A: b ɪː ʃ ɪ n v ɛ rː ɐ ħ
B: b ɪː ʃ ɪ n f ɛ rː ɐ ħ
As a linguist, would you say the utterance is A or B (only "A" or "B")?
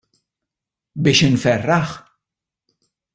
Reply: B